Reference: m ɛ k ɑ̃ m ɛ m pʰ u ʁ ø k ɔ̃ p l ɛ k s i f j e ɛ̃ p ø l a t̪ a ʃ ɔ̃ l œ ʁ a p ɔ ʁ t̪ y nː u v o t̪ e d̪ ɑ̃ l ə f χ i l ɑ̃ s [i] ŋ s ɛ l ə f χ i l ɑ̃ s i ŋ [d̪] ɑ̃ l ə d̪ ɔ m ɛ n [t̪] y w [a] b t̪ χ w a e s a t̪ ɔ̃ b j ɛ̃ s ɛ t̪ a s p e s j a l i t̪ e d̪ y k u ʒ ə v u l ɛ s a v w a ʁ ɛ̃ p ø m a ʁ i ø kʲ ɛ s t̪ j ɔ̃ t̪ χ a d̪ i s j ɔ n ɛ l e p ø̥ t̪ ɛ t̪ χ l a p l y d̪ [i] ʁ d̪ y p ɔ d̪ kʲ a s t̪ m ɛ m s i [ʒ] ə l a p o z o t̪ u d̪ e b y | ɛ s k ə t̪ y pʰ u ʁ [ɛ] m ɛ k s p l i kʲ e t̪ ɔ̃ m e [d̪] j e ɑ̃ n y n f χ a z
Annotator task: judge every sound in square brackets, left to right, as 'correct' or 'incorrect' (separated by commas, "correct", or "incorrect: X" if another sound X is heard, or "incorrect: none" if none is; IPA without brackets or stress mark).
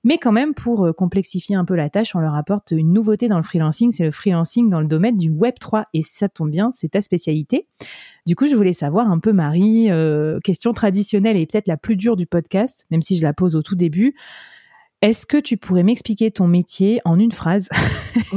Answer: correct, correct, incorrect: d̪, incorrect: ɛ, incorrect: y, correct, correct, incorrect: t̪